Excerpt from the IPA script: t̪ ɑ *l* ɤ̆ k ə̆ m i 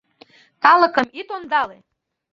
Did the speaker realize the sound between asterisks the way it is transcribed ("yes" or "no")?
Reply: yes